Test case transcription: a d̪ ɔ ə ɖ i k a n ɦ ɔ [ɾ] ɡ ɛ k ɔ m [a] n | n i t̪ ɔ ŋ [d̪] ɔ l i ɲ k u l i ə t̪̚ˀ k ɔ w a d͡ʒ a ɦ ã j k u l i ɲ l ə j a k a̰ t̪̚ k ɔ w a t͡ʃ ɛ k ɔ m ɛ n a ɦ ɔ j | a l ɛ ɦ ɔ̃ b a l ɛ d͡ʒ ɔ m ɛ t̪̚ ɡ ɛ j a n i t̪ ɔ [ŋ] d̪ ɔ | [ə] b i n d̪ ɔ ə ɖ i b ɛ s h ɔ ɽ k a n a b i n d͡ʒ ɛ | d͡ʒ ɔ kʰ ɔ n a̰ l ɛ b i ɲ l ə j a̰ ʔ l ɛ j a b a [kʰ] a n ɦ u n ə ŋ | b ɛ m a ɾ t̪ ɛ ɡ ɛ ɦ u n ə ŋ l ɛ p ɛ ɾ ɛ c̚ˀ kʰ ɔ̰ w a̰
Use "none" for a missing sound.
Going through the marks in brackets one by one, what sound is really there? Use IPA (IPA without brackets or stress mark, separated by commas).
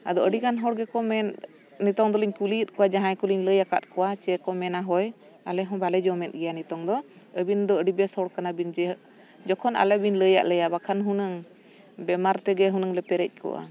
ɽ, ɛ, d̪, ŋ, ə, kʰ